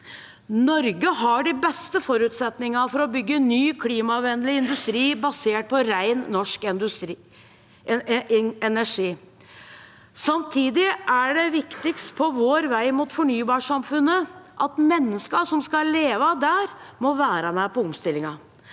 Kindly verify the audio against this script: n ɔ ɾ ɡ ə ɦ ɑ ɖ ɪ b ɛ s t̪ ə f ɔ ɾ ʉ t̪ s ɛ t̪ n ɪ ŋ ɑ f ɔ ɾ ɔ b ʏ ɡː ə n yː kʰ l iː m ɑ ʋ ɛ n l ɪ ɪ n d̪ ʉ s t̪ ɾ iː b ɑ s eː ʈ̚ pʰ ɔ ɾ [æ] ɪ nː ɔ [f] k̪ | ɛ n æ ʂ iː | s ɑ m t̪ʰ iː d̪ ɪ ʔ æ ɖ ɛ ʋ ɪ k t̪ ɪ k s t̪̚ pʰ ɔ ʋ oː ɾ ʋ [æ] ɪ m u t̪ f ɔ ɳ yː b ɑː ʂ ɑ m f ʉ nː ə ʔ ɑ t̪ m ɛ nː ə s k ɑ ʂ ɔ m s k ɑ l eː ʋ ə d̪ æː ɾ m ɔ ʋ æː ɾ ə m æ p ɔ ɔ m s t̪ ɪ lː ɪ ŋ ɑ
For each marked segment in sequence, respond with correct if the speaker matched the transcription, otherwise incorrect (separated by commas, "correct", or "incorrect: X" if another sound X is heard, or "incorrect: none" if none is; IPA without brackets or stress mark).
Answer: correct, incorrect: ʂ, correct